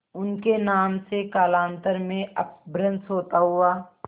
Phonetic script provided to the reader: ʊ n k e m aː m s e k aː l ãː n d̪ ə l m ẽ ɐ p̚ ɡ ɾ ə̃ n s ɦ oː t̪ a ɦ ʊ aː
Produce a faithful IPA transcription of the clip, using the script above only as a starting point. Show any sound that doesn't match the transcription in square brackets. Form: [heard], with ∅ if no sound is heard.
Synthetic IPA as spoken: ʊ n k e [n] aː m s e k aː l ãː n [t̪] ə [ɾ] m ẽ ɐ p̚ [b] ɾ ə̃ n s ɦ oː t̪ a ɦ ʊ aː